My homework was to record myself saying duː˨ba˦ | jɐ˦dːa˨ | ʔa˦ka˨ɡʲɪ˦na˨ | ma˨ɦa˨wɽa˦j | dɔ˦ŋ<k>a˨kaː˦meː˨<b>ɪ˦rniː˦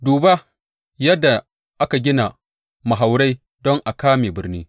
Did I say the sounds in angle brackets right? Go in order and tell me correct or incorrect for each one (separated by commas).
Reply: incorrect, correct